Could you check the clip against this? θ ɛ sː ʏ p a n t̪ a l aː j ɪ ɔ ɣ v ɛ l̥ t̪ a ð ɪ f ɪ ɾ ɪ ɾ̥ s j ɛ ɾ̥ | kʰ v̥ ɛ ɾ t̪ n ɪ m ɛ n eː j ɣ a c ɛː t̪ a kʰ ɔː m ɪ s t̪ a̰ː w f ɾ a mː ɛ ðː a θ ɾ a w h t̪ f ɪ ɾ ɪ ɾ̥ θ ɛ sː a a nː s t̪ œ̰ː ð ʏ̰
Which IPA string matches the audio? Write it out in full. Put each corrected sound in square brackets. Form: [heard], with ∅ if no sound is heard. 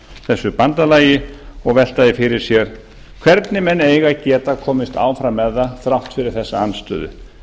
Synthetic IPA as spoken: θ ɛ sː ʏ p a n t̪ a l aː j ɪ ɔ ɣ v ɛ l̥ t̪ a ð ɪ f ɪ ɾ ɪ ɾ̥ s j ɛ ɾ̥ | kʰ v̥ ɛ ɾ t̪ n ɪ m ɛ n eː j ɣ a c ɛː t̪ a kʰ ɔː m ɪ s t̪ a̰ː w f ɾ a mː ɛ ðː a θ ɾ a w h t̪ f ɪ ɾ ɪ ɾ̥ θ ɛ sː a a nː s t̪ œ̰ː ð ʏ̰